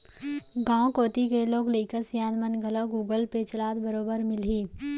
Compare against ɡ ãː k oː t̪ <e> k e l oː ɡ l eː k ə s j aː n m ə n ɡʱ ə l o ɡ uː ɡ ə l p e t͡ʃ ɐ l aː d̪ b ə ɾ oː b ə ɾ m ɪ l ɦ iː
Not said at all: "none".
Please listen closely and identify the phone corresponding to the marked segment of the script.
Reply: i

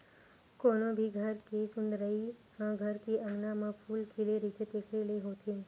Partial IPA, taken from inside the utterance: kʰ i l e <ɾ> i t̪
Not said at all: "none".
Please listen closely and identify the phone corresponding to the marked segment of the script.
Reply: ɾ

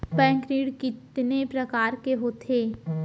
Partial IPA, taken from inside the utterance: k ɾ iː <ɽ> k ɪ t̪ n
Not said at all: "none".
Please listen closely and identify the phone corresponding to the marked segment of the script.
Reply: ɽ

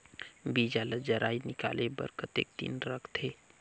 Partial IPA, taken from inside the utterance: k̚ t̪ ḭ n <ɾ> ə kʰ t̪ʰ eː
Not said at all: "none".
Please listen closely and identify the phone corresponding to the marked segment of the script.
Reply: ɾ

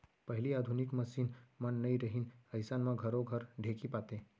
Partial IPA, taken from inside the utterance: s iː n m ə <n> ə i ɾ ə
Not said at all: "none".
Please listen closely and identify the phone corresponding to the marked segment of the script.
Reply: nː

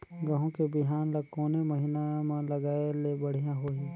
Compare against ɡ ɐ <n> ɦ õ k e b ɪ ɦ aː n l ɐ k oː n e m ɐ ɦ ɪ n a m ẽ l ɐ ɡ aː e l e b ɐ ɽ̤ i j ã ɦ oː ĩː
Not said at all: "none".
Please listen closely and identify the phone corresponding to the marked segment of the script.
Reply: none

